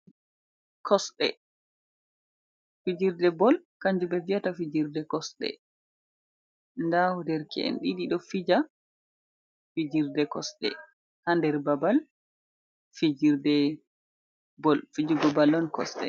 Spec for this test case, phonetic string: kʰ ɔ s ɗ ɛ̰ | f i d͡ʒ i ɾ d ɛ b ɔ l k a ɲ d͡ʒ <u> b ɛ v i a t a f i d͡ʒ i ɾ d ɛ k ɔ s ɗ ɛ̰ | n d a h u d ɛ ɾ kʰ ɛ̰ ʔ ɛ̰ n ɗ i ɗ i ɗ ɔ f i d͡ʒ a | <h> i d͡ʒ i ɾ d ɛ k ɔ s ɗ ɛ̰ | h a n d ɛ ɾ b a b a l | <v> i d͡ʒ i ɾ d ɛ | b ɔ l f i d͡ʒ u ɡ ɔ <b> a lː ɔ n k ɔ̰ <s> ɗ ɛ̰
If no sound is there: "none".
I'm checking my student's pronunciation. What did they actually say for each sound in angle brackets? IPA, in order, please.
u, f, f, b, s

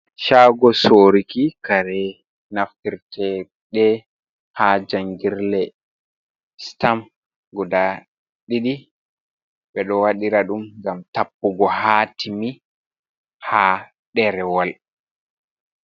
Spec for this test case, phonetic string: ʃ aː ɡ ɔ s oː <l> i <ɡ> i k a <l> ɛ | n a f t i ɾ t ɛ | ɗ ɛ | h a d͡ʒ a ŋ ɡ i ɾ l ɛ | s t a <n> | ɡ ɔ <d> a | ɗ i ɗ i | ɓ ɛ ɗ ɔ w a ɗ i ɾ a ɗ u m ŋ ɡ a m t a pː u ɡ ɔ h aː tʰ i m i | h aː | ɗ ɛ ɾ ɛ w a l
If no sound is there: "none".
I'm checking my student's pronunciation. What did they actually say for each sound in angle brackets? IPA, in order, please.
ɾ, k, ɾ, m, d

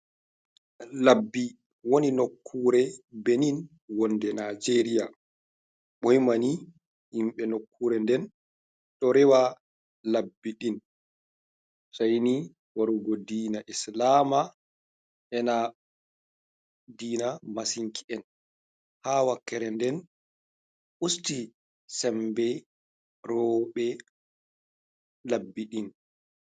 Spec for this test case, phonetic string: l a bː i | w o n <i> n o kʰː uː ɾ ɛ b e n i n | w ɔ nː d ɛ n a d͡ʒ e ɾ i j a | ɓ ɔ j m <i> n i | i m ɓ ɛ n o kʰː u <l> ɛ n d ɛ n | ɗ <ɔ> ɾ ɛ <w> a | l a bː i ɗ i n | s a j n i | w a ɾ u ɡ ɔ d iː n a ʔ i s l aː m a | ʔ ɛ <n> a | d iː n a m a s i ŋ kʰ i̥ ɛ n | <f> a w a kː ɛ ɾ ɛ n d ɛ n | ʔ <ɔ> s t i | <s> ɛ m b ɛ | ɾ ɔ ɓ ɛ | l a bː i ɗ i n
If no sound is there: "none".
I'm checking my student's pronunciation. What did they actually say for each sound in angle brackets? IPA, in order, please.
i, a, ɾ, ɔ, w, n, h, u, s

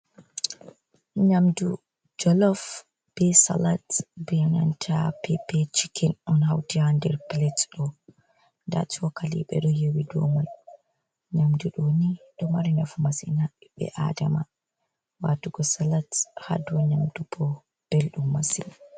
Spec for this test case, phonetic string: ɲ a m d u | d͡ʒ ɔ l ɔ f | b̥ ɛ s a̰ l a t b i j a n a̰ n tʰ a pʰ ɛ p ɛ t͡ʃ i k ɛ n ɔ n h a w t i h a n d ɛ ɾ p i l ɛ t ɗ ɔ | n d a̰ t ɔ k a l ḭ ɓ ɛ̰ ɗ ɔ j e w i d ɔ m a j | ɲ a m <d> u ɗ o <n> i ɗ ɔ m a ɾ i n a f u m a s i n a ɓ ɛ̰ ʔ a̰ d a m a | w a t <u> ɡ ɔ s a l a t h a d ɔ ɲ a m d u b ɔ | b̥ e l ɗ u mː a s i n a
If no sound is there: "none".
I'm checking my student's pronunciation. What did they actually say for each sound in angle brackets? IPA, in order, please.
d, n, u

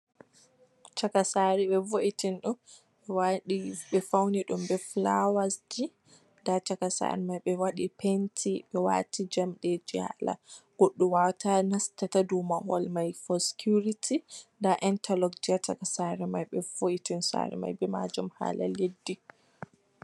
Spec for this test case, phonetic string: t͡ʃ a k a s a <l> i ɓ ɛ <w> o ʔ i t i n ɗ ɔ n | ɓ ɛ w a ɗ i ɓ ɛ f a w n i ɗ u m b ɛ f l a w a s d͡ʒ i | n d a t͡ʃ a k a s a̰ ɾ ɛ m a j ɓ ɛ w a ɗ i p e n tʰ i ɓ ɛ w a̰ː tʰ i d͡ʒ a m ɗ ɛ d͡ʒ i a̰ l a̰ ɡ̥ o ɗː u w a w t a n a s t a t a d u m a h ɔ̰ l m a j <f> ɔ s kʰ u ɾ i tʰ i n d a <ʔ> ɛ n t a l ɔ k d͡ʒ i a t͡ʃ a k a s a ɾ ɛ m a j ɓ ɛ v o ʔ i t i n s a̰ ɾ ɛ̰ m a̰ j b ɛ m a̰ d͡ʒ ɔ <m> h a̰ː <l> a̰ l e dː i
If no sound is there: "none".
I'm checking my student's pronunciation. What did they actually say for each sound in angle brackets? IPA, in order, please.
ɾ, v, f, ʔ, m, l

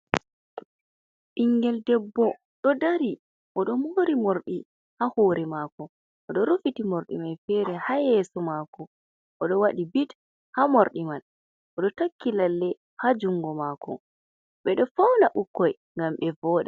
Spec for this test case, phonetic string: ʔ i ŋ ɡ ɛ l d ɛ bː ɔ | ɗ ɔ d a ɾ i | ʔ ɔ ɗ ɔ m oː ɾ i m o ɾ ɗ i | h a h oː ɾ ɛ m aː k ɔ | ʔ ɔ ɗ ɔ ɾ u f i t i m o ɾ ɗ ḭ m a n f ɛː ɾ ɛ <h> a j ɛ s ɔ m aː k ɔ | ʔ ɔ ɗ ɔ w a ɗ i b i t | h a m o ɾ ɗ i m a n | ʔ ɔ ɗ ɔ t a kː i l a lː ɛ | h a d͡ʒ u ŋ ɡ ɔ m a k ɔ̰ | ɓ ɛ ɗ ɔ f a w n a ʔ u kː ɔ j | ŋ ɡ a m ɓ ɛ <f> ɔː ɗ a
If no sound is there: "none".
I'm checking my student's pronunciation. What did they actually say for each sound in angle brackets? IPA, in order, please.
h, v

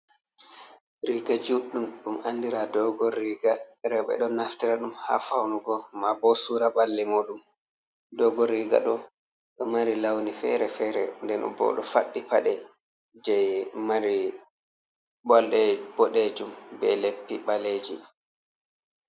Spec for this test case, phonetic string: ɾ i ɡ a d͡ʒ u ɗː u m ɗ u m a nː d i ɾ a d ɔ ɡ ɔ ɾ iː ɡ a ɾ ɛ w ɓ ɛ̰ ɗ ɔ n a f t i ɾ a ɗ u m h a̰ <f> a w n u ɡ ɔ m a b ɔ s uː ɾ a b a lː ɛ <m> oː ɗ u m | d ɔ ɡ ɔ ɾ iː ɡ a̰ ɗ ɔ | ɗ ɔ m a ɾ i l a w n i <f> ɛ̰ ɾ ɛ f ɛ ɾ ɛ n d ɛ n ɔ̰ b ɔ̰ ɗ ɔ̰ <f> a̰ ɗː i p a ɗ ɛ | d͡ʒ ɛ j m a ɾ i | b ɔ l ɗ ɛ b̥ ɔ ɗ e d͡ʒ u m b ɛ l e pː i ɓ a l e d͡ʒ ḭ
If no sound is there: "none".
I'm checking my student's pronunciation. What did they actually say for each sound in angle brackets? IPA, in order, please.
f, m, f, f

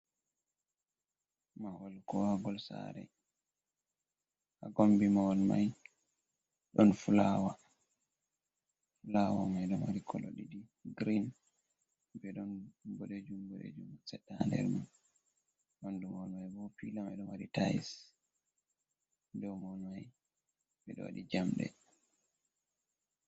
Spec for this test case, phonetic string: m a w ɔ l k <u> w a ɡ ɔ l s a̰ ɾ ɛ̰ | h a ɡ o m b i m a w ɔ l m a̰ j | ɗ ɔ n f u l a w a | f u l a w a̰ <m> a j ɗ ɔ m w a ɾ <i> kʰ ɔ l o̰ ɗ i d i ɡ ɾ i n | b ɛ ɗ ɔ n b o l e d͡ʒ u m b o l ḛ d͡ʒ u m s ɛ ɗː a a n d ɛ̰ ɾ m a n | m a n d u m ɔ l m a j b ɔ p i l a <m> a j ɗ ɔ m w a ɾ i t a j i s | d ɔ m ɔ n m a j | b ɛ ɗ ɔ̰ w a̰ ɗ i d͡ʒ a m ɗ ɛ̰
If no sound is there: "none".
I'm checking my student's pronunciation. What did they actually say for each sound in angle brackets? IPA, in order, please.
ɔ, m, i, m

